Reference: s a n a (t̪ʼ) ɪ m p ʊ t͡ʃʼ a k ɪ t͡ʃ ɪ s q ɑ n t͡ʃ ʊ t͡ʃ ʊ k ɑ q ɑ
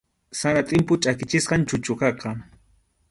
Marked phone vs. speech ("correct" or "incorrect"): correct